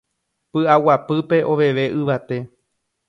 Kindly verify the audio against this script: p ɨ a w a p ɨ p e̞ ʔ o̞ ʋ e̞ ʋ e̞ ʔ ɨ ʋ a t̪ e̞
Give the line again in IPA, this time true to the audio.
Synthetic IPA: p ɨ a w a p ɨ p e̞ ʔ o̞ ʋ e̞ ʋ e̞ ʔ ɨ ʋ a t̪ e̞